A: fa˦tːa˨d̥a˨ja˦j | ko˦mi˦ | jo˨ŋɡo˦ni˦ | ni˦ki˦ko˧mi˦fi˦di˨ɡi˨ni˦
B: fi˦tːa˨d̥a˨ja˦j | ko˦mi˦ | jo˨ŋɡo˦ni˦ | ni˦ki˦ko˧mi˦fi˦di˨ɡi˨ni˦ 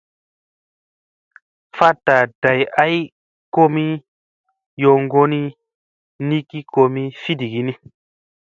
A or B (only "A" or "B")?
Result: A